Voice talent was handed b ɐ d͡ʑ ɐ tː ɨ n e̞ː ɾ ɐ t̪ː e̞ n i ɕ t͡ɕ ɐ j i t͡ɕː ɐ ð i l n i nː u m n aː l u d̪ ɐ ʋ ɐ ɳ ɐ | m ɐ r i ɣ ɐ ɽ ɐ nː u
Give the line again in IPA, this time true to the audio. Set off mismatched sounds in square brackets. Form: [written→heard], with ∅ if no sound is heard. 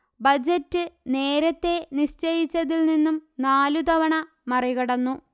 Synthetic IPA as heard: b ɐ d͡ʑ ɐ tː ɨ n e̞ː ɾ ɐ t̪ː e̞ n i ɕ t͡ɕ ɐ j i t͡ɕː ɐ ð i l n i nː u m n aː l u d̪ ɐ ʋ ɐ ɳ ɐ | m ɐ r i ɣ ɐ ɽ ɐ nː u